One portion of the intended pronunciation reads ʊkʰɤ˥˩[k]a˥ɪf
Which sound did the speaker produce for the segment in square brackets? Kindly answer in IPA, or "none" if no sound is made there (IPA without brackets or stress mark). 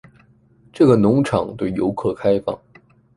kʰ